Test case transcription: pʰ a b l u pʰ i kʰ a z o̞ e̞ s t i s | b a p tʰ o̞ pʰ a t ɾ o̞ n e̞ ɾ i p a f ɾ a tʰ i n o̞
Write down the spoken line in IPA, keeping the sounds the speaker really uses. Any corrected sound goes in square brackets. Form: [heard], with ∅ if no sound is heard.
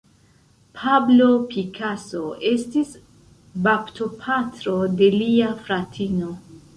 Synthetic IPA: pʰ a b l [o] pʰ i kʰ a [s] o̞ e̞ s t i s | b a p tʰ o̞ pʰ a t ɾ o̞ [d] e̞ [l] i [∅] a f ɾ a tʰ i n o̞